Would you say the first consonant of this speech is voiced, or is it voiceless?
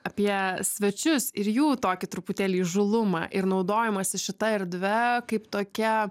voiceless